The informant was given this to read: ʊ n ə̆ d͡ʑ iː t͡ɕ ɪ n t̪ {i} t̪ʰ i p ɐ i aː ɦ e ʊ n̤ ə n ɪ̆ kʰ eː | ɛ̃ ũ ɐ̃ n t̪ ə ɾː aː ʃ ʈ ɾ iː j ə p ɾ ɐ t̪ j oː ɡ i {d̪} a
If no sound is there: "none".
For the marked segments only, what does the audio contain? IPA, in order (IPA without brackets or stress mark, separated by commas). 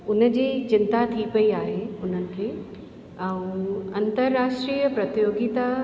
a, t̪